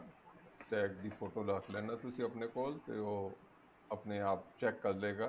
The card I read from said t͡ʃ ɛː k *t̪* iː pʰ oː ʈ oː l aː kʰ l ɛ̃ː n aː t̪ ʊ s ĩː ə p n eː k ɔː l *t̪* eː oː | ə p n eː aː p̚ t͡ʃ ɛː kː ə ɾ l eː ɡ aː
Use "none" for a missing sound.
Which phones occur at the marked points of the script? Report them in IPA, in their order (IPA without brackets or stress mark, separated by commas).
d̪, t̪